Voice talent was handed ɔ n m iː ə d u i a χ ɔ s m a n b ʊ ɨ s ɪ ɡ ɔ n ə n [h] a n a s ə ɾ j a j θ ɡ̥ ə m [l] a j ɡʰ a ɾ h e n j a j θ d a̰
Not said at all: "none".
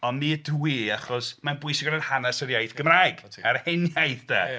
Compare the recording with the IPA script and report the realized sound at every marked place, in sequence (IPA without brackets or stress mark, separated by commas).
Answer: h, r